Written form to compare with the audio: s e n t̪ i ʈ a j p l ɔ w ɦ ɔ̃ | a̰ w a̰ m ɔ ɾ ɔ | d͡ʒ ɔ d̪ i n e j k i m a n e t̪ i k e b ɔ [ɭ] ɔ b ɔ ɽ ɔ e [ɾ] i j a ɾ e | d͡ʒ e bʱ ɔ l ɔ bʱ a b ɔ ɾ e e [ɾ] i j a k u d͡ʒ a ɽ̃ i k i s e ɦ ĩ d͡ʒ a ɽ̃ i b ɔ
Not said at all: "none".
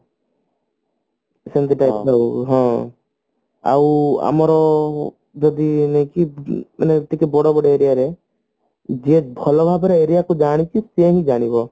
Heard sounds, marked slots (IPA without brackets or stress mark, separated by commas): ɽ, ɾ, ɾ